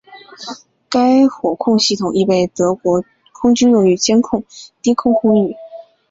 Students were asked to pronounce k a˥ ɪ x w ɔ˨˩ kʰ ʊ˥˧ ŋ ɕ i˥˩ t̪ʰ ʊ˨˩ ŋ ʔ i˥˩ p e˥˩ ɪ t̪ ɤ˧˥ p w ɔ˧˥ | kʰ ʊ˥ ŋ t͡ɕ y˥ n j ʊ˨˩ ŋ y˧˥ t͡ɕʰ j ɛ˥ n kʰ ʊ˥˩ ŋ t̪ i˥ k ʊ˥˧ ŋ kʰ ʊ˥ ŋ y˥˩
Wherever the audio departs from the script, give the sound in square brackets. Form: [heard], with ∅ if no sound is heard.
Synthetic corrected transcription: k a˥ ɪ x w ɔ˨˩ kʰ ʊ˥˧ ŋ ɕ i˥˩ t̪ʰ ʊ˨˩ ŋ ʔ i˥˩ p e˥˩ ɪ t̪ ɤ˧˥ [k] w ɔ˧˥ | kʰ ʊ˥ ŋ t͡ɕ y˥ n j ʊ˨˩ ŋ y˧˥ [t͡ɕ] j ɛ˥ n kʰ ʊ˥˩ ŋ t̪ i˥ [kʰ] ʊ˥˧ ŋ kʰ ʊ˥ ŋ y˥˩